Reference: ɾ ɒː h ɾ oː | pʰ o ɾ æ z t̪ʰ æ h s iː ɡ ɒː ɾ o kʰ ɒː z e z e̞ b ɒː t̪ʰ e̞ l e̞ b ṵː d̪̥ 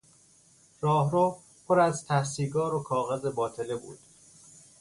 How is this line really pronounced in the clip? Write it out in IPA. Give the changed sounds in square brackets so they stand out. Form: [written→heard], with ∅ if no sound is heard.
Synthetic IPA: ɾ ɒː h ɾ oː | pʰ o ɾ æ z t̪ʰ æ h s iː ɡ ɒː ɾ o kʰ ɒː [z→ɣ] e z e̞ b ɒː t̪ʰ e̞ l e̞ b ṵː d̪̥